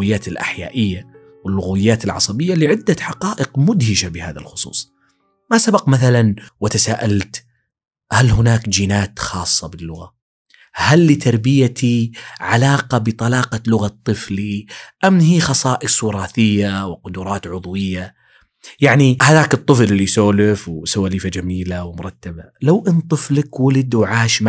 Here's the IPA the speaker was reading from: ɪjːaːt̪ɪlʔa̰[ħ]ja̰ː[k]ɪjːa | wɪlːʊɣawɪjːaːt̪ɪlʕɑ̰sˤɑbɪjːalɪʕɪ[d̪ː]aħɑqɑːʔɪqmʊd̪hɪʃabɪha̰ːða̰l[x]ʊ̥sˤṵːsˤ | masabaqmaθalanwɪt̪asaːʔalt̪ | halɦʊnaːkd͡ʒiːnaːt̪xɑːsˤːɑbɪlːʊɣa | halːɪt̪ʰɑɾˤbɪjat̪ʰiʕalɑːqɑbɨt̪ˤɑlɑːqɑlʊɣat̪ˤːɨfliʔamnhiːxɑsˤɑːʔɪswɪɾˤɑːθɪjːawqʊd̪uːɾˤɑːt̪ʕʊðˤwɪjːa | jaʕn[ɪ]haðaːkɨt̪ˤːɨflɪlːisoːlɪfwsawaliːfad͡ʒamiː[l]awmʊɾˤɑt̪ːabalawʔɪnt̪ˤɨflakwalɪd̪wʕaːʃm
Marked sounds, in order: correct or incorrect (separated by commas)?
correct, incorrect, correct, correct, incorrect, correct